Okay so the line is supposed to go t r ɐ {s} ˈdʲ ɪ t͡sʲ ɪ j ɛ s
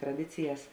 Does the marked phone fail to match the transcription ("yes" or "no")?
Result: yes